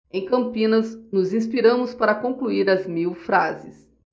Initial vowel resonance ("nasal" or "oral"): nasal